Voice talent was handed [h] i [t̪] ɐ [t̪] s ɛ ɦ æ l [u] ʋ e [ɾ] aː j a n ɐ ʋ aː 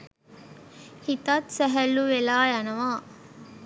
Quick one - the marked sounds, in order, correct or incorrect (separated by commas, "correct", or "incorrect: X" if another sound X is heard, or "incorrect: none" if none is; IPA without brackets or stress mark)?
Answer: correct, correct, correct, correct, incorrect: l